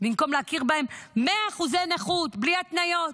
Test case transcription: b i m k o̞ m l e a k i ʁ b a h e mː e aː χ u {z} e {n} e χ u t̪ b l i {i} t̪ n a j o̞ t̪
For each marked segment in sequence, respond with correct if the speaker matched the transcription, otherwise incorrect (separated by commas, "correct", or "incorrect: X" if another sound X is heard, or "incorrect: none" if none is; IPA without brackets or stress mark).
correct, correct, incorrect: a